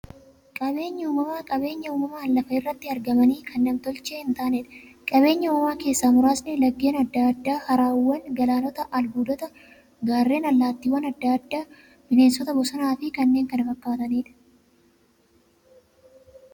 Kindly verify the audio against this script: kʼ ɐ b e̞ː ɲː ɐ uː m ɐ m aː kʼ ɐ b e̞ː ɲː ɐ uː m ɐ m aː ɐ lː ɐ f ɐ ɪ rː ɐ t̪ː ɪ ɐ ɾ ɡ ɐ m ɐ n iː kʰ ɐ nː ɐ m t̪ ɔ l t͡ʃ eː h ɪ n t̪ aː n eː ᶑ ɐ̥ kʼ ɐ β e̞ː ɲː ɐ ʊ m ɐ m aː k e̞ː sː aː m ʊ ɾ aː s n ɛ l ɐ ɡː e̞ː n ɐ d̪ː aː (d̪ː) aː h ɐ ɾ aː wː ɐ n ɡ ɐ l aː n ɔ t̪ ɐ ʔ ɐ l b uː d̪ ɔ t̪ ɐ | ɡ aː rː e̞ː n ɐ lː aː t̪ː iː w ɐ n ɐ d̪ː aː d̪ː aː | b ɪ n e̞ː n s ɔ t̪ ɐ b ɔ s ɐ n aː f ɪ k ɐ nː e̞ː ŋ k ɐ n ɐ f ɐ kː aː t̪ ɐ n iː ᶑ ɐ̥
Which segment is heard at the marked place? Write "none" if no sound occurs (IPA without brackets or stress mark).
d̪ː